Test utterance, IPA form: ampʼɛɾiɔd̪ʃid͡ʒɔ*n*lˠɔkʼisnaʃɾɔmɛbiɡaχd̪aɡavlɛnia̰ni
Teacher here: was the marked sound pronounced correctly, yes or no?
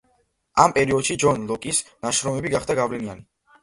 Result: yes